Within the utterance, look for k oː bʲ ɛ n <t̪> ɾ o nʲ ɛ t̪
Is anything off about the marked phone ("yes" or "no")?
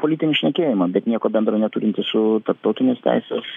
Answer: yes